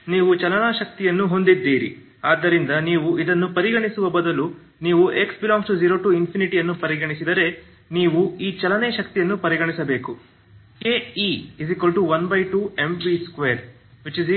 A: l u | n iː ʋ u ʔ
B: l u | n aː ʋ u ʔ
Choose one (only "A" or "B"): A